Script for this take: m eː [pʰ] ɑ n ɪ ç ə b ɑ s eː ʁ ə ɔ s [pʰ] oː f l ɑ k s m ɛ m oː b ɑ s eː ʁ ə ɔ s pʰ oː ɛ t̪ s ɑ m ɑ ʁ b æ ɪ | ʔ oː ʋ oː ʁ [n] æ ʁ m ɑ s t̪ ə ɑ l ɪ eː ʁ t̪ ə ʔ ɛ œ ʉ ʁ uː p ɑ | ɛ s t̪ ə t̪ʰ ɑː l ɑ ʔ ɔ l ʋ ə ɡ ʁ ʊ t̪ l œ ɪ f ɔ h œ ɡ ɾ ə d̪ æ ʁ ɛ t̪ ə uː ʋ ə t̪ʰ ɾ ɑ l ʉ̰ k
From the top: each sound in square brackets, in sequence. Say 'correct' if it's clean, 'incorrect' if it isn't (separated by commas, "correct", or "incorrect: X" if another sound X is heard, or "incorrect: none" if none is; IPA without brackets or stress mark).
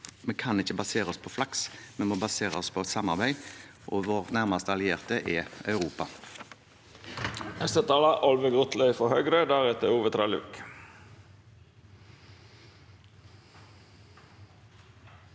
incorrect: kʰ, correct, correct